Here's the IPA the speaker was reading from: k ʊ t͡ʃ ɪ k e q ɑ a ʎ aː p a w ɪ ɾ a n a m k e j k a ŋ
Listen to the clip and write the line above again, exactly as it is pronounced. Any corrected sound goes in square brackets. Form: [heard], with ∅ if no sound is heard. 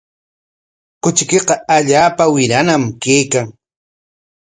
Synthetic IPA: k ʊ t͡ʃ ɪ k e q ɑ a ʎ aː p a w ɪ ɾ a n a m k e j k a ŋ

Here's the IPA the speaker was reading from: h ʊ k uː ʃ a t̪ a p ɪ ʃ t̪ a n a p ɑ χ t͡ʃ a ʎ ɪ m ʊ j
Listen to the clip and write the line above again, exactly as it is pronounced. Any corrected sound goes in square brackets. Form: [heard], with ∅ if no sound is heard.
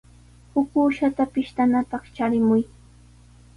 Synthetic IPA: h ʊ k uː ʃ a t̪ a p ɪ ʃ t̪ a n a p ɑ χ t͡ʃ a [ɾ] ɪ m ʊ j

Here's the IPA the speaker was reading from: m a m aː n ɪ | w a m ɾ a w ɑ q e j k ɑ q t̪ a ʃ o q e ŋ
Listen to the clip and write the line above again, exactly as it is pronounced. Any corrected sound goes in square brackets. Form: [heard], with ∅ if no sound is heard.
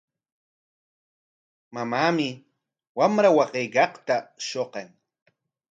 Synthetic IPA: m a m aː [m] ɪ | w a m ɾ a w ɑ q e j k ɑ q t̪ a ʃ o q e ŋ

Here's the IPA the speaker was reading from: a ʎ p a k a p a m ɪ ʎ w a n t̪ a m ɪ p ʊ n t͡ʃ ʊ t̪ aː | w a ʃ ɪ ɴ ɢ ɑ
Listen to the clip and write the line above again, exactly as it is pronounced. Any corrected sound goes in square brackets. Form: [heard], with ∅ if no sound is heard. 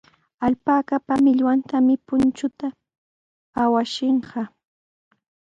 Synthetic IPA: a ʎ p a k a p a m ɪ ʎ w a n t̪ a m ɪ p ʊ n t͡ʃ ʊ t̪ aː | w a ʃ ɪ ɴ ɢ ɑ

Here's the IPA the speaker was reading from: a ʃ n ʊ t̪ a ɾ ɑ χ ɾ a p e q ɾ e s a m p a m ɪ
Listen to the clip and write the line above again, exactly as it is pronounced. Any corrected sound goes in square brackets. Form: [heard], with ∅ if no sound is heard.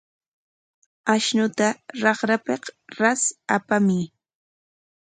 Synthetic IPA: a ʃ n ʊ t̪ a ɾ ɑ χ ɾ a p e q ɾ [a] s a [∅] p a m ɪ

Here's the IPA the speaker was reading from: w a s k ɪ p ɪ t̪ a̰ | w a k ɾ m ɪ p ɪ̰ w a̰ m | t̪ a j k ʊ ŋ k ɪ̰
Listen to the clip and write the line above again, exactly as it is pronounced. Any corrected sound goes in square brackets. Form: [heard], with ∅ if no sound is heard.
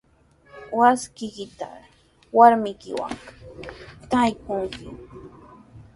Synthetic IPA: w a s k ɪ [k] ɪ t̪ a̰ | w a [∅] ɾ m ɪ [k] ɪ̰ w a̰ [ŋ] | t̪ a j k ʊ ŋ k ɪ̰

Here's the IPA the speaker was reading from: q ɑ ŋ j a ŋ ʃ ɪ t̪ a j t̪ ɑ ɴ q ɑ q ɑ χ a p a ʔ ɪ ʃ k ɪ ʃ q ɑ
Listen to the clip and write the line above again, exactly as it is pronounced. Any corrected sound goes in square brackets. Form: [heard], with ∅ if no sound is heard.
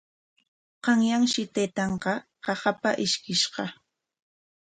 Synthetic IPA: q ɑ ŋ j a ŋ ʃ ɪ t̪ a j t̪ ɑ ɴ q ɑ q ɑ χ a p a ʔ ɪ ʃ k ɪ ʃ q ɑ

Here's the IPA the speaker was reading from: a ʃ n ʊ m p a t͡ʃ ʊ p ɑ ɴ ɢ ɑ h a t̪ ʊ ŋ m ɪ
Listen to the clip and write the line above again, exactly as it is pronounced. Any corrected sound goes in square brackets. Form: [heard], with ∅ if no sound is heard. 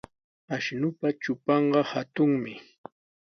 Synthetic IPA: a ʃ n ʊ [∅] p a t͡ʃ ʊ p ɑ ɴ ɢ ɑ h a t̪ ʊ ŋ m ɪ

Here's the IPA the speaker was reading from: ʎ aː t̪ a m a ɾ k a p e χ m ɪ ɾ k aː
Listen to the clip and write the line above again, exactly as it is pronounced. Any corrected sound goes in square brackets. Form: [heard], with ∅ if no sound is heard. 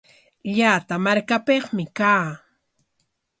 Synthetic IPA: ʎ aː t̪ a m a ɾ k a p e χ m ɪ [∅] k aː

